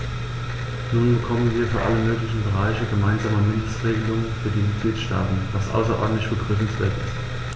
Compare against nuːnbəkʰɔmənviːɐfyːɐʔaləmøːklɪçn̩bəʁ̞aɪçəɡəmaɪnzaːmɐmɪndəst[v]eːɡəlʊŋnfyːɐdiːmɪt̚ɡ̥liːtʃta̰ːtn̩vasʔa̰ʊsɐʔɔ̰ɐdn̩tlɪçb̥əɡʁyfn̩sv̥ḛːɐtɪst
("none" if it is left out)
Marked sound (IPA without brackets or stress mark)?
ʁ